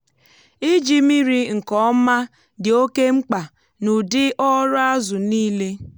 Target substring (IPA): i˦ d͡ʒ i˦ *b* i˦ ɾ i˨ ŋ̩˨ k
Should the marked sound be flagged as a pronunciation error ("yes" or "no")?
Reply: yes